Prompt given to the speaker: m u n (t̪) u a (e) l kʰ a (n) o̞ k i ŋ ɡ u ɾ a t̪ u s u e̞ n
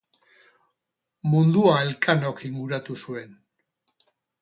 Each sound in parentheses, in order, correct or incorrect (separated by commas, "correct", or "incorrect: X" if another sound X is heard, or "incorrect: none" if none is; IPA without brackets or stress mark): incorrect: d̪, correct, correct